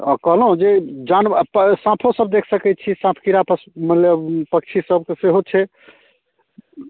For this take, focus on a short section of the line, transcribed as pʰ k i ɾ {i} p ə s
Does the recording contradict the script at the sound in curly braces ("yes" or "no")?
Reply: yes